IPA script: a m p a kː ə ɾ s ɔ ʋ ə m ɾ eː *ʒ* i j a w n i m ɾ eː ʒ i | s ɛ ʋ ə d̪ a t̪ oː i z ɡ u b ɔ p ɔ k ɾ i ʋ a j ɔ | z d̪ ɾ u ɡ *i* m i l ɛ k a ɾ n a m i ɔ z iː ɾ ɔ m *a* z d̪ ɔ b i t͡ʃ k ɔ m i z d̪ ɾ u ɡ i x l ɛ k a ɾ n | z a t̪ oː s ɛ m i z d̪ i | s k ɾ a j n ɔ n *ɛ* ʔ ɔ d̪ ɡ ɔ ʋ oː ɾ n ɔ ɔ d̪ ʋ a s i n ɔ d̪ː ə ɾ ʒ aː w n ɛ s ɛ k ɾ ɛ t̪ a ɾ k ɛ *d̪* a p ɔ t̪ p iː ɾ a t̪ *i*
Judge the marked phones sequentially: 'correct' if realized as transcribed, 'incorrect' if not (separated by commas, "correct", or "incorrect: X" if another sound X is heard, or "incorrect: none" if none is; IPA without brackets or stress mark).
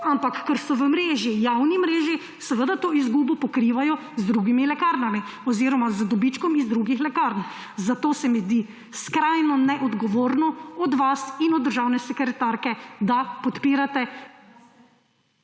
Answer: correct, correct, correct, correct, correct, incorrect: ɛ